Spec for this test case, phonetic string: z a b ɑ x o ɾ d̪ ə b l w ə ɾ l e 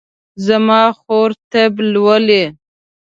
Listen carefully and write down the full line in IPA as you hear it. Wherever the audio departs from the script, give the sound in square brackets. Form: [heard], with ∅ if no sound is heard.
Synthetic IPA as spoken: z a [m] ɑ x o ɾ [t̪] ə b l w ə [∅] l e